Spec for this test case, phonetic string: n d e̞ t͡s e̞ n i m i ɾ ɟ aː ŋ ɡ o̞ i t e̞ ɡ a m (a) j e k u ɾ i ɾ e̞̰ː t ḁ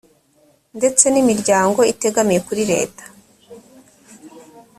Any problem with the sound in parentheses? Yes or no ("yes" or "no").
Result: yes